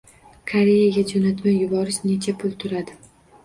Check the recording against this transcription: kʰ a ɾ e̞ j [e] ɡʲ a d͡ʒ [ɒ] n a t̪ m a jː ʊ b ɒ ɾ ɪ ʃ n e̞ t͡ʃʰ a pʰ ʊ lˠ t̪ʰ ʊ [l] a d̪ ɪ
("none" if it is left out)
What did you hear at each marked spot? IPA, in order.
a, o, ɾ

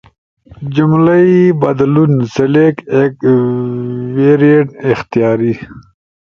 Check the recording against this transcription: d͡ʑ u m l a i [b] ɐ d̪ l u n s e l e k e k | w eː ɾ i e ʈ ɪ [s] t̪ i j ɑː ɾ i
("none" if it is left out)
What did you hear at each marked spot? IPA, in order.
b, x

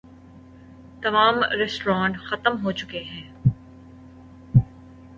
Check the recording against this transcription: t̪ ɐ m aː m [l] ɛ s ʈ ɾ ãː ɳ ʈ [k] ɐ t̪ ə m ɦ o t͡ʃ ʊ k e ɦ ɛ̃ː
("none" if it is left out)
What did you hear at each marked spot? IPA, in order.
ɾ, x

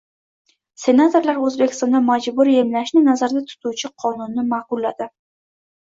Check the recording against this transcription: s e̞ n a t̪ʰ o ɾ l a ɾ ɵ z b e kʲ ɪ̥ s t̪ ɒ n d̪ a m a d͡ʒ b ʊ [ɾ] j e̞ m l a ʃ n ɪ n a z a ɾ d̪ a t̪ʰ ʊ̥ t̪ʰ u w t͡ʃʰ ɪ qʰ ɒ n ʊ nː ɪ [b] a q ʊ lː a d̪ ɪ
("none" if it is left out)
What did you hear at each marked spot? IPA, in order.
ɾ, m

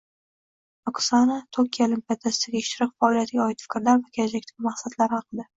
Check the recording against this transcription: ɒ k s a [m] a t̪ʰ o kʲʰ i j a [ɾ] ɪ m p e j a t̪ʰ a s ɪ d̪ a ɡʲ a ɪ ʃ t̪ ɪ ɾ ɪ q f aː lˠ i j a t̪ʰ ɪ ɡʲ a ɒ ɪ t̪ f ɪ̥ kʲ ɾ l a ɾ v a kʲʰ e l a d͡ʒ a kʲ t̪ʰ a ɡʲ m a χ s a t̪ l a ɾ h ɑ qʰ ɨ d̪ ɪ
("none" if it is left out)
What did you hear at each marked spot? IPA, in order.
n, l

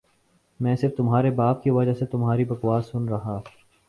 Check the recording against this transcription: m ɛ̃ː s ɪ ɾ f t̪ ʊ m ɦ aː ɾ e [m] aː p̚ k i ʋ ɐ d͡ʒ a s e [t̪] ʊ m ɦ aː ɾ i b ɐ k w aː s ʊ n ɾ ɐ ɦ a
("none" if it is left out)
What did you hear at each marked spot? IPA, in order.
b, t̪

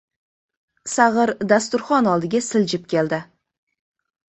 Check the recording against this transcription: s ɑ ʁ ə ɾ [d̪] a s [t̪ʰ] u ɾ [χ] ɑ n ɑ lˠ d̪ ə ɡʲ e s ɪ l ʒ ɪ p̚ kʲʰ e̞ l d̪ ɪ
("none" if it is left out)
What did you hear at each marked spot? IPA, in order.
d̪, t̪, χ

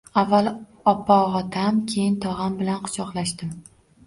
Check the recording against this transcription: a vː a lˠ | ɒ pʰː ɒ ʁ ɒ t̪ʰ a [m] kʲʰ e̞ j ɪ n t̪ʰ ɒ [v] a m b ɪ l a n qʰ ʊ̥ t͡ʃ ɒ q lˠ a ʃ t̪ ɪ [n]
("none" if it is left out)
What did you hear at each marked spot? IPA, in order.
m, ʁ, m

